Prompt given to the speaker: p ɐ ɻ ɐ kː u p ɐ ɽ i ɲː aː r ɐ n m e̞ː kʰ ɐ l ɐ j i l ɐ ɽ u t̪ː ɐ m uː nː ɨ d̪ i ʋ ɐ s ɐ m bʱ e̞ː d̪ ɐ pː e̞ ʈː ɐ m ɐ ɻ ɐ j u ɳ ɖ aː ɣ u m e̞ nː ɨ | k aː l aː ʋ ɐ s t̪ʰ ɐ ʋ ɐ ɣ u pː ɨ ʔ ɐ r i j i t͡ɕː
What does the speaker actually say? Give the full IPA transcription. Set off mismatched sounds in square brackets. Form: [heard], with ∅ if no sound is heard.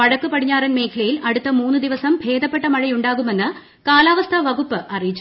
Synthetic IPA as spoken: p ɐ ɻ ɐ kː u p ɐ ɽ i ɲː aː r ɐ n m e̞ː kʰ ɐ l ɐ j i l ɐ ɽ u t̪ː ɐ m uː nː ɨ d̪ i ʋ ɐ s ɐ m bʱ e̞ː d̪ ɐ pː e̞ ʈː ɐ m ɐ ɻ ɐ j u ɳ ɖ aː ɣ u m e̞ nː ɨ | k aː l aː ʋ ɐ s t̪ʰ ɐ ʋ ɐ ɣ u pː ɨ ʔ ɐ r i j i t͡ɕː